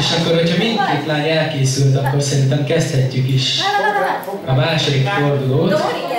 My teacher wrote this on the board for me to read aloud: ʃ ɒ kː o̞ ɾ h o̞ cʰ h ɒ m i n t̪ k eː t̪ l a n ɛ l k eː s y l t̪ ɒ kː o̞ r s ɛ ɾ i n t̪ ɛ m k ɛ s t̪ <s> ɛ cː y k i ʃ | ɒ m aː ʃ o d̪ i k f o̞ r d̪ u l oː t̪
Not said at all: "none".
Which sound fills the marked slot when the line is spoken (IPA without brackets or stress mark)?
h